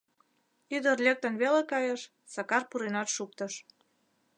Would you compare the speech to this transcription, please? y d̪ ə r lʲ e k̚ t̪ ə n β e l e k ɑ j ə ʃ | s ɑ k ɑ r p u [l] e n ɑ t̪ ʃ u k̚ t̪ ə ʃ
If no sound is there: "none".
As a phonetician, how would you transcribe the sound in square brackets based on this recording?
ɾ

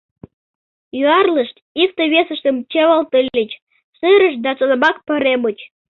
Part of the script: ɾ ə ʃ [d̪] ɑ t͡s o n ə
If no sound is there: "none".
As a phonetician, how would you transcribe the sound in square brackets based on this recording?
d̪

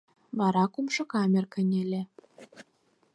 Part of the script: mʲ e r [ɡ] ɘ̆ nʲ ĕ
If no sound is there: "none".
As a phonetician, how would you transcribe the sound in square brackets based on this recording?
k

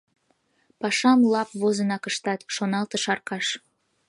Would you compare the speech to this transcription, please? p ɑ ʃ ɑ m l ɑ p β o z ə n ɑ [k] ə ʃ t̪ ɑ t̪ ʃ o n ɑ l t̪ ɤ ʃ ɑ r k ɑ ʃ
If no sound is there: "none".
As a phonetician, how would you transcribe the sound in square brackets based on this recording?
k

